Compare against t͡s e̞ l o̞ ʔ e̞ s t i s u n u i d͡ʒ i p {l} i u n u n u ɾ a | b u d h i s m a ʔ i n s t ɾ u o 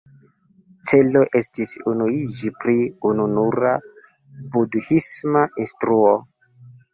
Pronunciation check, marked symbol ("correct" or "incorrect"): incorrect